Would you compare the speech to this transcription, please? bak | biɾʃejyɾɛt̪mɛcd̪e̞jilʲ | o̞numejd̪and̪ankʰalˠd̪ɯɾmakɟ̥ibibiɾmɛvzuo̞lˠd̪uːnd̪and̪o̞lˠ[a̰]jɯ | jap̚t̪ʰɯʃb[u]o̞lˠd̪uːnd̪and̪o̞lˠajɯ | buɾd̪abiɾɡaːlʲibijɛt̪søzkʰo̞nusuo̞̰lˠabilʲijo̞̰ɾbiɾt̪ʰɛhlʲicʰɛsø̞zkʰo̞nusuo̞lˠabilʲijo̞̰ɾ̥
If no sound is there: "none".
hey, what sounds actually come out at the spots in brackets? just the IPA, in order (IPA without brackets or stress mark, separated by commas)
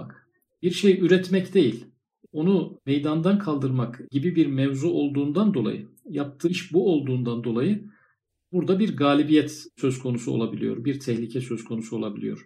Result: a̰, u